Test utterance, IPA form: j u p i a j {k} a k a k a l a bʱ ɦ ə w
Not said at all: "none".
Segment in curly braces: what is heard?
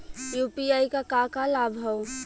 k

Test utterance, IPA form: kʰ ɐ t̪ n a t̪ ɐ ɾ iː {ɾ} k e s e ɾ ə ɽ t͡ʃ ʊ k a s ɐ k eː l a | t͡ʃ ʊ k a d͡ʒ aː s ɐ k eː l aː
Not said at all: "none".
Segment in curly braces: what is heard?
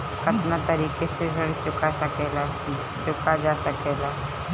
none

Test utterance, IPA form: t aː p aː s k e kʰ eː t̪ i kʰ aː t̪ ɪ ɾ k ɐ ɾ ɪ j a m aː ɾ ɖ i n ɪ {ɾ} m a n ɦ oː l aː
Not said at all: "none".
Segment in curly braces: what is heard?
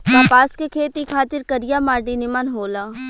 none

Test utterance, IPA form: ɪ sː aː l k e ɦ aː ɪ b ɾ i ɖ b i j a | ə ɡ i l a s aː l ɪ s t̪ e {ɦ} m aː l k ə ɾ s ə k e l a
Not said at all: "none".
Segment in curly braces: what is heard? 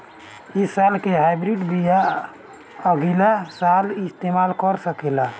none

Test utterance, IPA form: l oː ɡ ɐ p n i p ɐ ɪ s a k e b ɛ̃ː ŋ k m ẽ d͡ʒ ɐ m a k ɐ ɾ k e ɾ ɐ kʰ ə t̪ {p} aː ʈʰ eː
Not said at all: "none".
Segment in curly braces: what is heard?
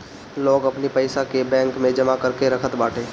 b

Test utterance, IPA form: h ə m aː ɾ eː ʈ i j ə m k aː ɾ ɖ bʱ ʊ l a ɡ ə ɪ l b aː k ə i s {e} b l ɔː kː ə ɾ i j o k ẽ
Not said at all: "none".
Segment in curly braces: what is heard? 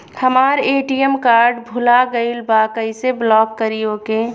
e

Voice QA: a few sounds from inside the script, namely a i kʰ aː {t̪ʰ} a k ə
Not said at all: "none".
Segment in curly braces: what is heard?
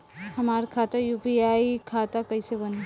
t̪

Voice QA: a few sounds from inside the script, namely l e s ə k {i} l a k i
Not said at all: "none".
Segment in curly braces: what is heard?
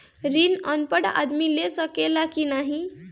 e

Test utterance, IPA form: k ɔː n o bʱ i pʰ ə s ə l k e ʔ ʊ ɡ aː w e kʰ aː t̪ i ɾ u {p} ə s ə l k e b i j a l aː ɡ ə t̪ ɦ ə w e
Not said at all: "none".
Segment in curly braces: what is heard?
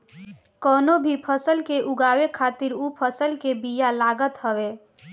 pʰ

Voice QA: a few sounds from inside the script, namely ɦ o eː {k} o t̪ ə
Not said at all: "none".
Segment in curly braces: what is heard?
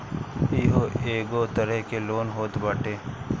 ɡ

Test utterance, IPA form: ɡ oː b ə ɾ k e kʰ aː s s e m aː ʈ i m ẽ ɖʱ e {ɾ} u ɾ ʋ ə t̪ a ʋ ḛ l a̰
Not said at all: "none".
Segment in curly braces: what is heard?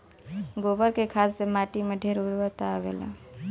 ɾ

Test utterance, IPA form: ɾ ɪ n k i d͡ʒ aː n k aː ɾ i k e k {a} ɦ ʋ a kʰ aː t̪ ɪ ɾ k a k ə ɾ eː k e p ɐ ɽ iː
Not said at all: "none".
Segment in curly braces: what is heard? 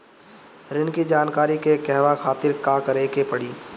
ɛ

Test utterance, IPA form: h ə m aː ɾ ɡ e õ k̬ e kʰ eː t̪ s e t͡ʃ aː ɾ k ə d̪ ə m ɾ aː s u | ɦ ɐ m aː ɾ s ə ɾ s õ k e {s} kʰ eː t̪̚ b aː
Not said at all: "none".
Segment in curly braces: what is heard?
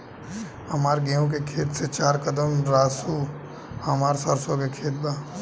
none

